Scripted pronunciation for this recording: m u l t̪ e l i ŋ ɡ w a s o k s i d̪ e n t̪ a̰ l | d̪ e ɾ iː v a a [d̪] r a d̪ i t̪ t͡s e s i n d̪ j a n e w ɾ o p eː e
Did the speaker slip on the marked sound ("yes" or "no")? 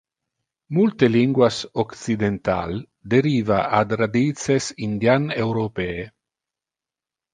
no